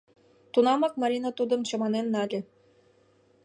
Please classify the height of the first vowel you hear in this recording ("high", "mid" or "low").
high